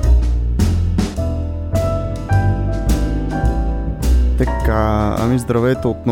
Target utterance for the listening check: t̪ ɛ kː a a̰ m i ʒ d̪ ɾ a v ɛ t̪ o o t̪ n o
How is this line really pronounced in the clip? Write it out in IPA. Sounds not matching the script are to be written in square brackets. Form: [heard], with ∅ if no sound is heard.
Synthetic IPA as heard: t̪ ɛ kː a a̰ m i [z] d̪ ɾ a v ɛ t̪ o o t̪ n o